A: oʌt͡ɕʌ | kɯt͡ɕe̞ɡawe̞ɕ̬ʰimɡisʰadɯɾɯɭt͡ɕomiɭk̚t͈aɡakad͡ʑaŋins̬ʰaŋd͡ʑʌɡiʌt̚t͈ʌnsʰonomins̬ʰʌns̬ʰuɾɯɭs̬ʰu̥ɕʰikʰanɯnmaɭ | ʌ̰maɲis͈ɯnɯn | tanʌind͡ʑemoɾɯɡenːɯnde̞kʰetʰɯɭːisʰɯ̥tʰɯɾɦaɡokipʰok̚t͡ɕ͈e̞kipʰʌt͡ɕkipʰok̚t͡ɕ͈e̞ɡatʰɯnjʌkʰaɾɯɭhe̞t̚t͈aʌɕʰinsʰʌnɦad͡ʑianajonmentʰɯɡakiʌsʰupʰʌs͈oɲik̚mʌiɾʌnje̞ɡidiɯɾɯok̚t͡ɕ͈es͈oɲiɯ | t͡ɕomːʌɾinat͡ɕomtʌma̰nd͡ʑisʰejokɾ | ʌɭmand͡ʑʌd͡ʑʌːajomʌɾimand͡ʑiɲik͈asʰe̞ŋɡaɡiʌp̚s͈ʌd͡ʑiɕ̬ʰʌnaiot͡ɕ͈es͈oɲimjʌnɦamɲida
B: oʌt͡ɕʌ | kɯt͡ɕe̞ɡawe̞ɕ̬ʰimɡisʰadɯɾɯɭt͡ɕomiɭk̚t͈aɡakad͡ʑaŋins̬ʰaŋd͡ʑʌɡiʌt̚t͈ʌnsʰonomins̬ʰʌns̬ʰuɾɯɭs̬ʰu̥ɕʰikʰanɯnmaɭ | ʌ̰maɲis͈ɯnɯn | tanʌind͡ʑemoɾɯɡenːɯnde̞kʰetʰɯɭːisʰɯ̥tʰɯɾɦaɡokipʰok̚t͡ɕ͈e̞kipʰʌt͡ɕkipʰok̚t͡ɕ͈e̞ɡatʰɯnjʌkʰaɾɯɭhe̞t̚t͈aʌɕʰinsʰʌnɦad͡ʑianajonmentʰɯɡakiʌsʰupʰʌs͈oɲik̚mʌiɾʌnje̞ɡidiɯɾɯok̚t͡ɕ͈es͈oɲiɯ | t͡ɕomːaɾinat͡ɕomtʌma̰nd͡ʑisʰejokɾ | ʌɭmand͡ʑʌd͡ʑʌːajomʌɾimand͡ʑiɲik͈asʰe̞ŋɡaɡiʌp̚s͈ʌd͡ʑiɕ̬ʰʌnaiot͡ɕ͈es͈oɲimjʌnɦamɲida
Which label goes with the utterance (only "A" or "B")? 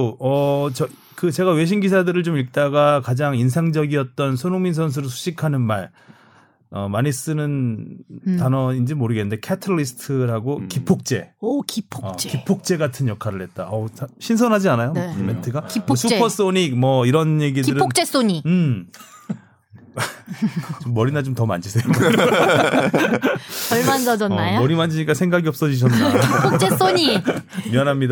A